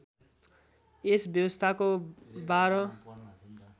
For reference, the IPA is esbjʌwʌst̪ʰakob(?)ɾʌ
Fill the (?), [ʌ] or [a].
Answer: a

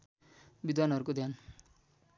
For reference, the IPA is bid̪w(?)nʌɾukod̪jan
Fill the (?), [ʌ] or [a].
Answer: a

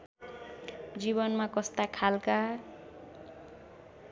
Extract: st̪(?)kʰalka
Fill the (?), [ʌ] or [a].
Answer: a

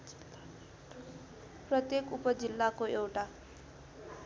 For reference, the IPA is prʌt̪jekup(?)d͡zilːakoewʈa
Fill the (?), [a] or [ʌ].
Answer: ʌ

